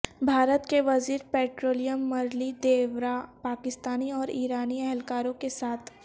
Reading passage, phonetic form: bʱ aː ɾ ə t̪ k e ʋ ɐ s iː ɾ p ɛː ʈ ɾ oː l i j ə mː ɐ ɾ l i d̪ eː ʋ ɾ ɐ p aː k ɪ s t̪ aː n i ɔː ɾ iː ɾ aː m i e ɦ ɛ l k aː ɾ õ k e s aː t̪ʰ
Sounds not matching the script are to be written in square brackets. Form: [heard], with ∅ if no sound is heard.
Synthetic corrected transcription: bʱ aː ɾ ə t̪ k e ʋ ɐ [z] iː ɾ p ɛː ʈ ɾ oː l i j ə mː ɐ ɾ l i d̪ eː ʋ ɾ [a] p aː k ɪ s t̪ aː n i ɔː ɾ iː ɾ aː [n] i [ɛ] ɦ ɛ l k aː ɾ õ k e s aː t̪ʰ